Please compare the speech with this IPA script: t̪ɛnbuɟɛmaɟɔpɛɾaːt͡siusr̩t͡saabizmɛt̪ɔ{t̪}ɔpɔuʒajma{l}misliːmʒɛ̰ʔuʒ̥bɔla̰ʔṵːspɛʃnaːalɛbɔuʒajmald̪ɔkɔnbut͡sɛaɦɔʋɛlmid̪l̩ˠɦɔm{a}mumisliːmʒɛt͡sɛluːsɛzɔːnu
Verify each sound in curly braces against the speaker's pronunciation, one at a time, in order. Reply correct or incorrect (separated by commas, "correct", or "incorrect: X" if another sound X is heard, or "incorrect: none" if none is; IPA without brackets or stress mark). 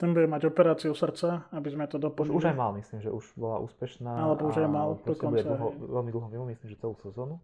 incorrect: d̪, correct, incorrect: i